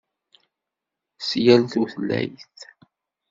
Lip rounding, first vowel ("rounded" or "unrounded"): unrounded